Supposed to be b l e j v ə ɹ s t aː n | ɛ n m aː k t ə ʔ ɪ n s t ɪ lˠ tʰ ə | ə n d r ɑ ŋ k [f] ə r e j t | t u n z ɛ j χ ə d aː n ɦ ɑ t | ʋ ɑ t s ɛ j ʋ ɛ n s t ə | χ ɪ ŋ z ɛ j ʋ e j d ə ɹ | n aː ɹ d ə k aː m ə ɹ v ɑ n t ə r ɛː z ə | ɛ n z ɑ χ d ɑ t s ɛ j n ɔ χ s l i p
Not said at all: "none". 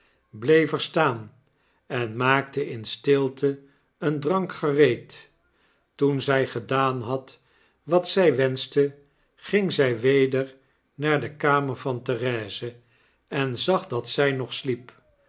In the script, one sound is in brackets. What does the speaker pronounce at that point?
χ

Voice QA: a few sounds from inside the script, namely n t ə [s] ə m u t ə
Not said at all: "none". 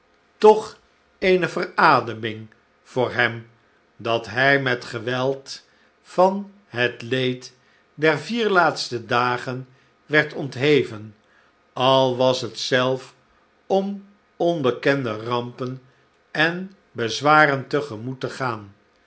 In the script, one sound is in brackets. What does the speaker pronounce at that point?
χ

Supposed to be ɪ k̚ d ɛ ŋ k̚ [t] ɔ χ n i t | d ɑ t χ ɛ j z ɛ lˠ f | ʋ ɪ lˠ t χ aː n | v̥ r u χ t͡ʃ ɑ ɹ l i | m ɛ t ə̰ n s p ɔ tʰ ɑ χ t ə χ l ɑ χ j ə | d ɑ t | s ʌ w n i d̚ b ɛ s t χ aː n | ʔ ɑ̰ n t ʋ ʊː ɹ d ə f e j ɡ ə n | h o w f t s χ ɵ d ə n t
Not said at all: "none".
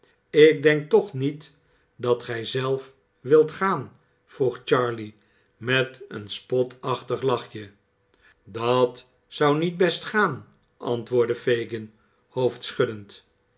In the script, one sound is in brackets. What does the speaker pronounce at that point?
t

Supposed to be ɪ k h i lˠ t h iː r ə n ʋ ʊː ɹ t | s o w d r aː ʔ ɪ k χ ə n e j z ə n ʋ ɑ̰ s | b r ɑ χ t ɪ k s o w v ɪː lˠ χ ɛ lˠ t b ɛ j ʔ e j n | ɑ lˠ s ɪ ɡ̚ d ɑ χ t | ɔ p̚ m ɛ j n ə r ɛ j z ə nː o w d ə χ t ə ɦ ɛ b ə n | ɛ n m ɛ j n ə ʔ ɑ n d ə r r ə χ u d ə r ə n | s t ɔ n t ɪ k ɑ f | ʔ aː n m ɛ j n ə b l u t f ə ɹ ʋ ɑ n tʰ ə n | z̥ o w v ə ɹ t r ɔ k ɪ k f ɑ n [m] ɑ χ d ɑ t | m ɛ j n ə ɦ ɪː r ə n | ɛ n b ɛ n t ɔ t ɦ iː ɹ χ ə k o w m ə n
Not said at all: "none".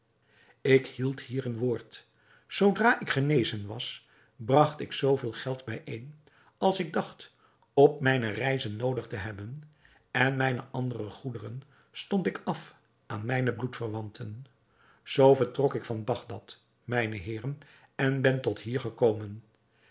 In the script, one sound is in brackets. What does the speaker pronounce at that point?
b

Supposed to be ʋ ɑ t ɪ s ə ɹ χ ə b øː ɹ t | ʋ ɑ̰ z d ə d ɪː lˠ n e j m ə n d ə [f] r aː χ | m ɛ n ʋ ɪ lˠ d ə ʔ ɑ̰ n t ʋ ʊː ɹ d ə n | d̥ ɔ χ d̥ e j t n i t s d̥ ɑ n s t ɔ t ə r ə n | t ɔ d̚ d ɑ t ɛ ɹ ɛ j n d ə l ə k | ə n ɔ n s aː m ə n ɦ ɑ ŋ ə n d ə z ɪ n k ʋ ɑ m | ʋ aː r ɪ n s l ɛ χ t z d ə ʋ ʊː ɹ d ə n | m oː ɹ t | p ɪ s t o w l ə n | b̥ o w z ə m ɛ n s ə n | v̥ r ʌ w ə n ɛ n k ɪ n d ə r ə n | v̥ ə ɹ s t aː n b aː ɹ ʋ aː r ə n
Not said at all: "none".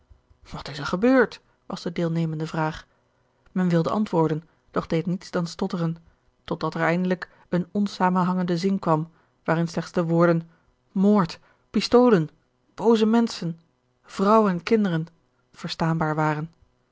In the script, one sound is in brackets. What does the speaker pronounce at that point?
v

